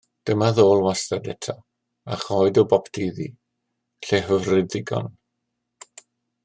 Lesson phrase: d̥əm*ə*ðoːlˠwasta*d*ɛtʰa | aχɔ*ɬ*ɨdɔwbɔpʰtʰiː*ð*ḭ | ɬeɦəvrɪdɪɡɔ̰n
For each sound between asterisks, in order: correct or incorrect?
incorrect: a, correct, incorrect: none, correct

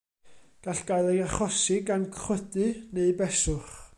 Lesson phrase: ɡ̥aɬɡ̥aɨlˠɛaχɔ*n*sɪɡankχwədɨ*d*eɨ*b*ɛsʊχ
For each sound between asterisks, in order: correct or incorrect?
incorrect: none, incorrect: n, correct

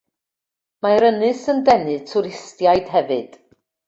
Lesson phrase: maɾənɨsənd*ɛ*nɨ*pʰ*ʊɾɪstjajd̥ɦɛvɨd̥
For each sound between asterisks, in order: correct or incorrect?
correct, incorrect: tʰ

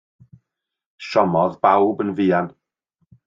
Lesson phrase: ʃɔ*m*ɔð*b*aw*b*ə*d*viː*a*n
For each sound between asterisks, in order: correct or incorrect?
correct, correct, correct, incorrect: n, correct

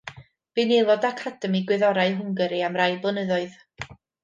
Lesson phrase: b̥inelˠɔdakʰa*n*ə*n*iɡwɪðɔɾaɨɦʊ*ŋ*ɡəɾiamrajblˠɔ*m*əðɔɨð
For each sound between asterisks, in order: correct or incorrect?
incorrect: d, incorrect: m, correct, incorrect: n

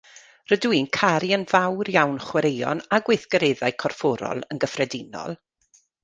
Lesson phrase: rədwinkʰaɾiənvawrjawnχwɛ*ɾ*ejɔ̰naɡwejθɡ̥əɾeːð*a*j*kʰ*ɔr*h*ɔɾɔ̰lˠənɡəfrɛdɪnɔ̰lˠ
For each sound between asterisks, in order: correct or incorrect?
correct, correct, correct, incorrect: f

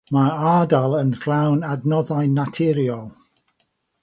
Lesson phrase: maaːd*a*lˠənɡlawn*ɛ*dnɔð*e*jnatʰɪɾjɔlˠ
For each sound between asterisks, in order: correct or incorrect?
correct, incorrect: a, incorrect: a

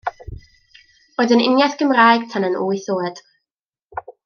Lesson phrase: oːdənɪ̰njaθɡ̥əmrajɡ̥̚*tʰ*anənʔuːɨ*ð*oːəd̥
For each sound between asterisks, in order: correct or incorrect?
correct, incorrect: θ

